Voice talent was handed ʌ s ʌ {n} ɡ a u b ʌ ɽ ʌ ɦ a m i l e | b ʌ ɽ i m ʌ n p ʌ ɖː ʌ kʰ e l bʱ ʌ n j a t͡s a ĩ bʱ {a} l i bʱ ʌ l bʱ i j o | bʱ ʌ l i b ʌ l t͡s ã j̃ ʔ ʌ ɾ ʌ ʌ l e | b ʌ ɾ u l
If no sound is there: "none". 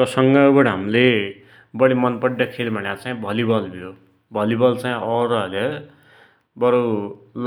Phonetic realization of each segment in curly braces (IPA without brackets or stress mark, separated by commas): ŋ, ʌ